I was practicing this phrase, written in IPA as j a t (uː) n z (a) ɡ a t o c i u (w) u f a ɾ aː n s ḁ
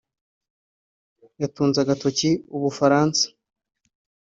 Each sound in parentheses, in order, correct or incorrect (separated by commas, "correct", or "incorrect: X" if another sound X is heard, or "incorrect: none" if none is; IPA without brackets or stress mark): correct, correct, incorrect: β